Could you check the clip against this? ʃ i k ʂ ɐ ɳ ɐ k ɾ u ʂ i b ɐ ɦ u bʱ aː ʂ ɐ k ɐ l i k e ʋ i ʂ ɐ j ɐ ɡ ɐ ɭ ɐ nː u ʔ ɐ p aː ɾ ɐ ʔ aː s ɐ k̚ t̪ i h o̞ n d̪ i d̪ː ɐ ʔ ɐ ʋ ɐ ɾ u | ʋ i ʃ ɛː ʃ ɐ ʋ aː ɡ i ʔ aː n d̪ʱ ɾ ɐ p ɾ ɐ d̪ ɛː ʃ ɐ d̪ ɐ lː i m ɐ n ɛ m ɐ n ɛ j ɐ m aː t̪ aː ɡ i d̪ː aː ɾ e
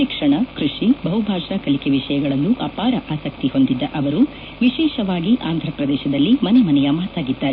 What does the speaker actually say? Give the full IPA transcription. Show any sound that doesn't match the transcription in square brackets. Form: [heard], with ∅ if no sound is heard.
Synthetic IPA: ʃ i k ʂ ɐ ɳ ɐ k ɾ u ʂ i b ɐ ɦ u bʱ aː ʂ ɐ k ɐ l i k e ʋ i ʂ ɐ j ɐ ɡ ɐ ɭ ɐ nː u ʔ ɐ p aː ɾ ɐ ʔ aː s ɐ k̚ t̪ i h o̞ n d̪ i d̪ː ɐ ʔ ɐ ʋ ɐ ɾ u | ʋ i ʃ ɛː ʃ ɐ ʋ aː ɡ i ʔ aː n d̪ʱ ɾ ɐ p ɾ ɐ d̪ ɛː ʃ ɐ d̪ ɐ lː i m ɐ n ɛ m ɐ n ɛ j ɐ m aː t̪ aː ɡ i d̪ː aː ɾ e